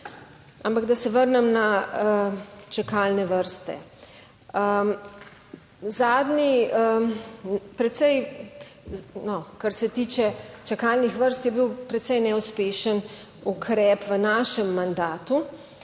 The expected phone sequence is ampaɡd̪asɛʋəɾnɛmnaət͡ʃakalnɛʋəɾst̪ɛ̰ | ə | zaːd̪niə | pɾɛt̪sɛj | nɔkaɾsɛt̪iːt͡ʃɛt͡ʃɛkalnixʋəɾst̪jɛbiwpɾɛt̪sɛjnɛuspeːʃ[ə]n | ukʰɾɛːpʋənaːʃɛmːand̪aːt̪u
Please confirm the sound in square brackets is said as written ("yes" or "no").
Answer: yes